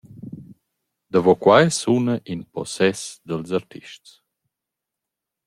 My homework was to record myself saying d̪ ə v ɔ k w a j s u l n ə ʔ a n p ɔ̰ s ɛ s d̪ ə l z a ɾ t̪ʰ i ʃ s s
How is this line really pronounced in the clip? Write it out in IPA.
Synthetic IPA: d̪ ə v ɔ k w a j s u n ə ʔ i n p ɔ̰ s ɛ s d̪ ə l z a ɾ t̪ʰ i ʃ t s